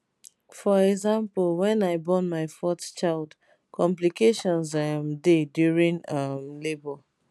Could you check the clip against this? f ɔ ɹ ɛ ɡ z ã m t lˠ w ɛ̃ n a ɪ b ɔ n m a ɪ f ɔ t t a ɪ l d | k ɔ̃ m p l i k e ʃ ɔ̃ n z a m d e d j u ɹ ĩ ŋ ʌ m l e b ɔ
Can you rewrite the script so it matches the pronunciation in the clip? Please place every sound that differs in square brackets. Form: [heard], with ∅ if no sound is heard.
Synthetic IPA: f ɔ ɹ ɛ ɡ z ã m [p] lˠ w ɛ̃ n a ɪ b ɔ n m a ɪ f ɔ t [t͡ʃ] a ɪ l d | k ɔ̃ m p l i k e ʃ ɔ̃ n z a m d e d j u ɹ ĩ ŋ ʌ m l e b ɔ

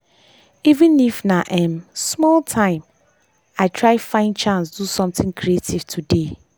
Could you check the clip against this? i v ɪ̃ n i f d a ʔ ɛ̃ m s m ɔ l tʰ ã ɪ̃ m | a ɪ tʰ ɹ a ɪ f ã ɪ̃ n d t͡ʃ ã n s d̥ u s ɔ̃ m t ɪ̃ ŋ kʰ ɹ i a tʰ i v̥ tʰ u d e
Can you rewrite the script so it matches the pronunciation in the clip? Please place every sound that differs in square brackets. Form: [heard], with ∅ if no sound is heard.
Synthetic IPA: i v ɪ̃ n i f [n] a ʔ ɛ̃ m s m ɔ l tʰ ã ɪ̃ m | a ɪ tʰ ɹ a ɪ f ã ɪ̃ n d t͡ʃ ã n s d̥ u s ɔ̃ m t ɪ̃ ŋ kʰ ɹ i [e] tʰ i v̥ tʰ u d e

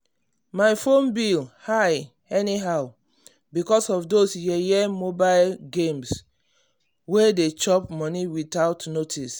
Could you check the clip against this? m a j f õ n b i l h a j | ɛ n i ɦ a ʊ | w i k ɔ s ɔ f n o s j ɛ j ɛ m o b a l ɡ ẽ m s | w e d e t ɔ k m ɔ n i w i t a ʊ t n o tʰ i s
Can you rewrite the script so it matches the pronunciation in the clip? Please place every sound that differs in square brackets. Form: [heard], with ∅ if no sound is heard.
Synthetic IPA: m a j f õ n b i l h a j | ɛ n i ɦ a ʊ | [b] i k ɔ s ɔ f [d] o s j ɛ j ɛ m o b a l ɡ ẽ m s | w e d e [t͡ʃ] ɔ [p] m ɔ n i w i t a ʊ t n o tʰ i s

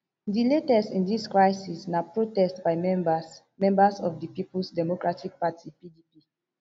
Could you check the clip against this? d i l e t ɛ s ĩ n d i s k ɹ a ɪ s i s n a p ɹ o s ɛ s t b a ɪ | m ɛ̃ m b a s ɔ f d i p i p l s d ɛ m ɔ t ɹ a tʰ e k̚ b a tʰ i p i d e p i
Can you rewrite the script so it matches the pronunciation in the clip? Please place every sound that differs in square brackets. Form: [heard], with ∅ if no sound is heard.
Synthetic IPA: d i l e t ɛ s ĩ n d i s k ɹ a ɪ s i s n a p ɹ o [t] ɛ s t b a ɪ | m ɛ̃ m b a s ɔ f d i p i p l s d ɛ m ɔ [k] ɹ a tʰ [i] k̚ [p] a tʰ i p i d [i] p i

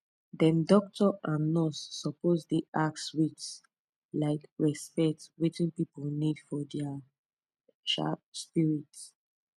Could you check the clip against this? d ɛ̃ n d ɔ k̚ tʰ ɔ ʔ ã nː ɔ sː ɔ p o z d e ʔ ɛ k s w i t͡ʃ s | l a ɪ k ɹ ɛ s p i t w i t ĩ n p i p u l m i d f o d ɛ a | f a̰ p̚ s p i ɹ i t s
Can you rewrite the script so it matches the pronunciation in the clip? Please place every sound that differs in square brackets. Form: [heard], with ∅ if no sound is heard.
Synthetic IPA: d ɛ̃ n d ɔ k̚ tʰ ɔ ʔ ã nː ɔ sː ɔ p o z d e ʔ [a] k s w i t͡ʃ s | l a ɪ k ɹ ɛ s p [ɛ] t w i t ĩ n p i p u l [n] i d f [ɔ] d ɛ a | [ʃ] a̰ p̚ s p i ɹ i t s

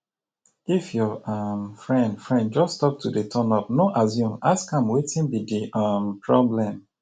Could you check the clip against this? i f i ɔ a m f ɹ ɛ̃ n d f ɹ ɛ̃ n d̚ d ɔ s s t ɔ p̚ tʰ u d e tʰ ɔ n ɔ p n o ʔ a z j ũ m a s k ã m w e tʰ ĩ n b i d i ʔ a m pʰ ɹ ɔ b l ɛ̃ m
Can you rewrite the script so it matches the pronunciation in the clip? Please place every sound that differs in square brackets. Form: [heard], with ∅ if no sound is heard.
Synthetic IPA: i f [j] ɔ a m f ɹ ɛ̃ n d f ɹ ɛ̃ n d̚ [d͡ʒ] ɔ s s t ɔ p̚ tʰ u d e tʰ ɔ n ɔ p n o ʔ a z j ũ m a s k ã m w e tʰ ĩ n b i d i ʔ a m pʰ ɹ ɔ b l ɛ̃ m

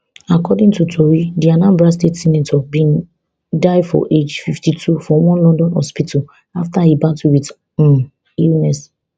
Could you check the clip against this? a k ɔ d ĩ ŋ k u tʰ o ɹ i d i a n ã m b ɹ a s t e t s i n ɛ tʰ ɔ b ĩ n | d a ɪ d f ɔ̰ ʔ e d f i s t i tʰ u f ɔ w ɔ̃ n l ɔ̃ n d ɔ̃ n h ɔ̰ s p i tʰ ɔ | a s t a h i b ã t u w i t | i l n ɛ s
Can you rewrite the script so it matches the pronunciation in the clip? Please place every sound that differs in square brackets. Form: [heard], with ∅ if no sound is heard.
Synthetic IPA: a k ɔ d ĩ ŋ [t] u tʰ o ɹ i d i a n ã m b ɹ a s t e t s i n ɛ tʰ ɔ b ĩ n | d a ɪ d f ɔ̰ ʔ e [d͡ʒ] f i [f] t i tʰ u f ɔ w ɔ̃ n l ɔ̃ n d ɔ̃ n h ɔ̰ s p i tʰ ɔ | a [f] t a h i b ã t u w i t | i l n ɛ s

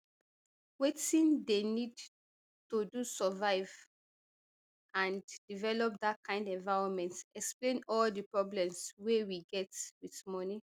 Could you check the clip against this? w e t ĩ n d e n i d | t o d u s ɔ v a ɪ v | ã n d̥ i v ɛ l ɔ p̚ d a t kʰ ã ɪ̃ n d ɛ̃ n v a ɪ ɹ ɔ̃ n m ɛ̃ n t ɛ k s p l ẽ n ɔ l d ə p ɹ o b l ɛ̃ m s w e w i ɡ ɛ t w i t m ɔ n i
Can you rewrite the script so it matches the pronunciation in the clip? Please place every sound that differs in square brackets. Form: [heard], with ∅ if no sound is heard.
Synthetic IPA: w e t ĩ n d e n i d | t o d u s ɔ v a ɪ v | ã n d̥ i v ɛ l ɔ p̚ d a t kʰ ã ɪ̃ n d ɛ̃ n v a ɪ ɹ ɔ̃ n m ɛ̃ n t ɛ k s p l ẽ n ɔ l d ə p ɹ [ɔ] b l ɛ̃ m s w e w i ɡ ɛ t w i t m ɔ n i

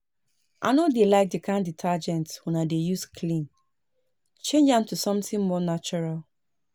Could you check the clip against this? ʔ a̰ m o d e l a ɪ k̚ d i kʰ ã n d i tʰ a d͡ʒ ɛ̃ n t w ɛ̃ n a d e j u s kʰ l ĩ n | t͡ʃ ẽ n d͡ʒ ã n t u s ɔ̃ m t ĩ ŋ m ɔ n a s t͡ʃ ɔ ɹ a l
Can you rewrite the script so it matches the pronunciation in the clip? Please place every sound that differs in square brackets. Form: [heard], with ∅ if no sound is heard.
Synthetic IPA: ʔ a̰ [n] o d e l a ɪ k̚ d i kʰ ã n d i tʰ a d͡ʒ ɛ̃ n t w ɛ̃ n a d e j u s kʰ l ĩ n | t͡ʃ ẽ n d͡ʒ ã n t u s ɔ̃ m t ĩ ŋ m ɔ n a [∅] t͡ʃ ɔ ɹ a l

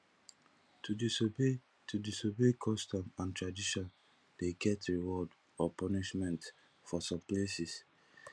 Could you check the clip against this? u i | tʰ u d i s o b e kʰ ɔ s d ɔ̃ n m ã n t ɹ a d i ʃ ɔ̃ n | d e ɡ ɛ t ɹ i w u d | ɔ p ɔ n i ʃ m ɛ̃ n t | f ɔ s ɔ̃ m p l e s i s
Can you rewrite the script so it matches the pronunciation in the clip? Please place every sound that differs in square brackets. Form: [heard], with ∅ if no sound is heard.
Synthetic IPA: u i | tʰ u d i s o b e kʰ ɔ s [t] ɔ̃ [∅] m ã n t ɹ a d i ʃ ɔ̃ n | d e ɡ ɛ t ɹ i w [ɔ] d | ɔ p ɔ n i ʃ m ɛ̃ n t | f ɔ s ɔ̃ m p l e s i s

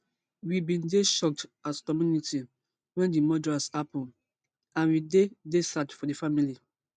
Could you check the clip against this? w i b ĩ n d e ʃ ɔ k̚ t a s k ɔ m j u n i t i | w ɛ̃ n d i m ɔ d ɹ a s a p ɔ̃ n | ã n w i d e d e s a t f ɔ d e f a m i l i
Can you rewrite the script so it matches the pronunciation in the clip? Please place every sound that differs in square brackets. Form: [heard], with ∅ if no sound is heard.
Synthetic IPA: w i b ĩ n d e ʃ ɔ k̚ t a s k ɔ m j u n i t i | w ɛ̃ n d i m ɔ d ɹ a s a p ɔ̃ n | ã n w i d e d e s a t f ɔ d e f a m i l i

